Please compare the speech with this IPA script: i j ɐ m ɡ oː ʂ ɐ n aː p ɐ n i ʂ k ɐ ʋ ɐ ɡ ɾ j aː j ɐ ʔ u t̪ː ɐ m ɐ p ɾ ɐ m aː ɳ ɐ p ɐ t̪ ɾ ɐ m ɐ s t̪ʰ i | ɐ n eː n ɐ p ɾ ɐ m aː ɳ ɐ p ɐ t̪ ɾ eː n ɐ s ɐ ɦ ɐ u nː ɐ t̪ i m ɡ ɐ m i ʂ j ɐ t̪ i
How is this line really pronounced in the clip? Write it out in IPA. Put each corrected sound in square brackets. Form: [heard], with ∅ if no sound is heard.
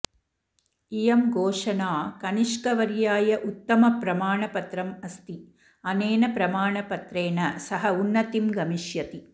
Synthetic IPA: i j ɐ m ɡ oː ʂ ɐ n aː [k] ɐ n i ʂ k ɐ ʋ ɐ [∅] ɾ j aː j ɐ ʔ u t̪ː ɐ m ɐ p ɾ ɐ m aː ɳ ɐ p ɐ t̪ ɾ ɐ m ɐ s [t̪] i | ɐ n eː n ɐ p ɾ ɐ m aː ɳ ɐ p ɐ t̪ ɾ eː n ɐ s ɐ ɦ ɐ u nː ɐ t̪ i m ɡ ɐ m i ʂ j ɐ t̪ i